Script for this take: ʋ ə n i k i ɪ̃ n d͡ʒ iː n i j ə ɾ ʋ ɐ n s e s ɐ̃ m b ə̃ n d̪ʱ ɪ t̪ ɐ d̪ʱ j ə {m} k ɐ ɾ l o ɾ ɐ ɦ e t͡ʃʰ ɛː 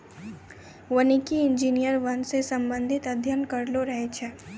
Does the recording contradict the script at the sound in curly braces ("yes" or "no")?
yes